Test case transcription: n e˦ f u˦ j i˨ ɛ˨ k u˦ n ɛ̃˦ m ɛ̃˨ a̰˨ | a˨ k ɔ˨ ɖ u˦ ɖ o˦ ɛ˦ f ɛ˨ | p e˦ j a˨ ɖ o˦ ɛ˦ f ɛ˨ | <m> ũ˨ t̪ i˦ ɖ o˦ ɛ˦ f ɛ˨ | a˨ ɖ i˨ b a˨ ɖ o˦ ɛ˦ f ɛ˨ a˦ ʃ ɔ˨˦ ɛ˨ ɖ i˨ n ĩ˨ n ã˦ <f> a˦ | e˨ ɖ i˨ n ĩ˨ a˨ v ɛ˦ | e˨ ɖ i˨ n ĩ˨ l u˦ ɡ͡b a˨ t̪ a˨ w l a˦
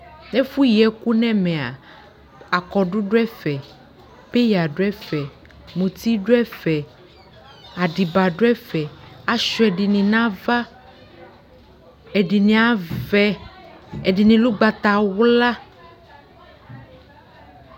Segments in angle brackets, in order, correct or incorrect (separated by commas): correct, incorrect